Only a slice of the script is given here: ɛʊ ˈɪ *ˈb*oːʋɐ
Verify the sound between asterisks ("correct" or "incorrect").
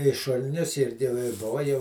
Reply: correct